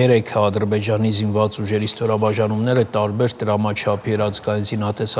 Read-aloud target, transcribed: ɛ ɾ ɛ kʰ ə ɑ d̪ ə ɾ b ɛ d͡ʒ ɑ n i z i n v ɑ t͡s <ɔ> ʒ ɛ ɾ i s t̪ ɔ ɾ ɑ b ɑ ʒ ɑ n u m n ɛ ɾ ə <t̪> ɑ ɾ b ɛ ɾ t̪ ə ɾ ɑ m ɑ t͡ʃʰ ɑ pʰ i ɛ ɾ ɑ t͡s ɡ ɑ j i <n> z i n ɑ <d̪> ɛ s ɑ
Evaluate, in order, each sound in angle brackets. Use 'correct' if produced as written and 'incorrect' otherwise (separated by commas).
incorrect, correct, correct, incorrect